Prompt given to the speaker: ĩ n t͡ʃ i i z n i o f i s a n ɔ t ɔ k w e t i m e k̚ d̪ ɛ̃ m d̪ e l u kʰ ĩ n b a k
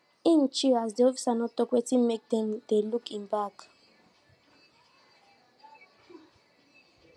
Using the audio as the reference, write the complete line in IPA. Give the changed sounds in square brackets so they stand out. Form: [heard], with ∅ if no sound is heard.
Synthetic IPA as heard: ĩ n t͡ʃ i [a] z [d] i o f i s a n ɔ t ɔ k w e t i m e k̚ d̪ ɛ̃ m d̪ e l u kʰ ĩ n b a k